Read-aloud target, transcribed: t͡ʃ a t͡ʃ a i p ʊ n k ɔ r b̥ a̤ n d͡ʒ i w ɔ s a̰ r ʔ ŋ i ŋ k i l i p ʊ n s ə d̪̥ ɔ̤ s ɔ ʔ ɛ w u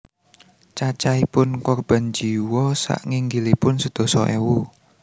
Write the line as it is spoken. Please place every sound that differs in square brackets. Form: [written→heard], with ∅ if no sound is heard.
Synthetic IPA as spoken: t͡ʃ a t͡ʃ a i p ʊ n k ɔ r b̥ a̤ n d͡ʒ i w ɔ s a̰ [r→∅] ʔ ŋ i ŋ [k→ɡ] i l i p ʊ n s ə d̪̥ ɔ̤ s ɔ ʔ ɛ w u